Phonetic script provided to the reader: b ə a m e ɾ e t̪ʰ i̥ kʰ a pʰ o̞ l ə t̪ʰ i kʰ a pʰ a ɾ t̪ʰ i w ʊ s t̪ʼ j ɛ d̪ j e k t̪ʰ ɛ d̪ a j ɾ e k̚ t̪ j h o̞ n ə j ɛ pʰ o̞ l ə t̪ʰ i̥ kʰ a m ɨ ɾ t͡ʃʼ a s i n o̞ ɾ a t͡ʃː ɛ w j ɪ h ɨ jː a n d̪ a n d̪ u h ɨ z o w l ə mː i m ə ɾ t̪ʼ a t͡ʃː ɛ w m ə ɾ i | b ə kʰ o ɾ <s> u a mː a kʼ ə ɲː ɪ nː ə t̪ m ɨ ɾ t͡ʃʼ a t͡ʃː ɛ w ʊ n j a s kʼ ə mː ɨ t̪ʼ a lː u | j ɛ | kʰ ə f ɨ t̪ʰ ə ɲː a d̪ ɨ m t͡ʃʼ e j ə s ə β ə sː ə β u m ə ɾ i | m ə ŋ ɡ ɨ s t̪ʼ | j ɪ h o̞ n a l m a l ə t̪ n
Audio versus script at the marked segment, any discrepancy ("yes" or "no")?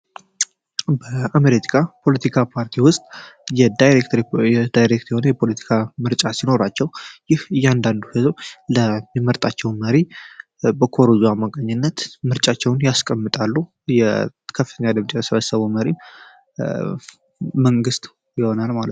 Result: yes